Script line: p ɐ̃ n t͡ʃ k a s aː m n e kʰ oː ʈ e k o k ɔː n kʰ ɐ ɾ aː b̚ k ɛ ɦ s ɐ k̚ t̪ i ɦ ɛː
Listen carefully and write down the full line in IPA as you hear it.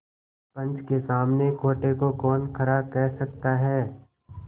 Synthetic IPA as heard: p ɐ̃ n t͡ʃ k e s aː m n e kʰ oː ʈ e k o k ɔː n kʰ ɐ ɾ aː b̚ k ɛ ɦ s ɐ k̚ t̪ a ɦ ɛː